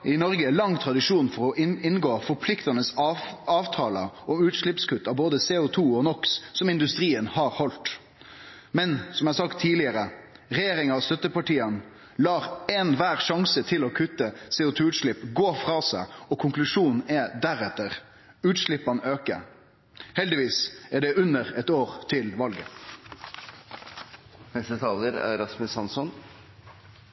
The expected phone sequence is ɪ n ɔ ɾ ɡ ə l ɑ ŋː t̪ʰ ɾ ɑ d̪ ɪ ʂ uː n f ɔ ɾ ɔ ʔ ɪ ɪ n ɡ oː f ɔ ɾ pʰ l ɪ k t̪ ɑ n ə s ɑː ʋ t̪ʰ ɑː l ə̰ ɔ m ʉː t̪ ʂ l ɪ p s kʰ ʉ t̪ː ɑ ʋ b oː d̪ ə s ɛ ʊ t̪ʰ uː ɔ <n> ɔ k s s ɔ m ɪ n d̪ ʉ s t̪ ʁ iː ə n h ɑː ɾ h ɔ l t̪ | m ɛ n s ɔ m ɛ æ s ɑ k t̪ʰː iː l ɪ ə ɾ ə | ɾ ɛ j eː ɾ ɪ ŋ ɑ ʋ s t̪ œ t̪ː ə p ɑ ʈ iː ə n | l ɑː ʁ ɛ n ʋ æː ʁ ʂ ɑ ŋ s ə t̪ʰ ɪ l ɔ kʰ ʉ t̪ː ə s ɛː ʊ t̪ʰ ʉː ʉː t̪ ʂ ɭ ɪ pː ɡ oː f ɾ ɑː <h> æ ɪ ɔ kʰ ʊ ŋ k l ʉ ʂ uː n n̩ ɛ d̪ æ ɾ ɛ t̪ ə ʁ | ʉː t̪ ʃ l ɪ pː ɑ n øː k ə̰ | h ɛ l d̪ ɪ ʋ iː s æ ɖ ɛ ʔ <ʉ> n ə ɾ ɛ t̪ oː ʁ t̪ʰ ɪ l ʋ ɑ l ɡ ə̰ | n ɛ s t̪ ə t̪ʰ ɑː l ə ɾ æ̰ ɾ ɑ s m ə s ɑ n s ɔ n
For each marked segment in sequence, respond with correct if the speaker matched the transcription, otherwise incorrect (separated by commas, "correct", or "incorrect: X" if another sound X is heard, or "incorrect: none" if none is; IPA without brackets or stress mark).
correct, incorrect: s, correct